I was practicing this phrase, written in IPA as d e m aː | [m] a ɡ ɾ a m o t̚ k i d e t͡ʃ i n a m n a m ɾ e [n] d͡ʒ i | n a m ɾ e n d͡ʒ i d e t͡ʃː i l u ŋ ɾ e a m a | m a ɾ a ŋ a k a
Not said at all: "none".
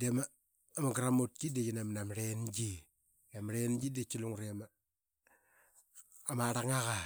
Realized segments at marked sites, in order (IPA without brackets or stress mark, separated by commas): m, n